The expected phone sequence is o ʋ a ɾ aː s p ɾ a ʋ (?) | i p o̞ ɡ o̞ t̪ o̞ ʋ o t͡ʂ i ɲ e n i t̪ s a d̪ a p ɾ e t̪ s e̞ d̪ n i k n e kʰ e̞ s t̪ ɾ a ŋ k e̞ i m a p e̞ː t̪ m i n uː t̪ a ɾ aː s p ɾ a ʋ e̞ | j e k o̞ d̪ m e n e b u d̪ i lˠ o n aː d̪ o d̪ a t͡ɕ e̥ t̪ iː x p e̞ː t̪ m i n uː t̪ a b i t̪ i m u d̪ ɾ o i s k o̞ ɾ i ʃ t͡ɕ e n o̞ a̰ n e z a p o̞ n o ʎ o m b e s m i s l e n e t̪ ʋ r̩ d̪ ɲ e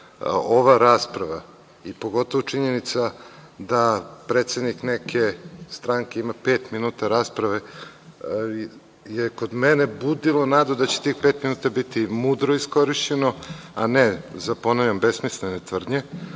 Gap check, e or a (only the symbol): a